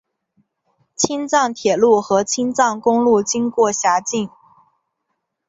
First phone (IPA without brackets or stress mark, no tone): t͡ɕʰ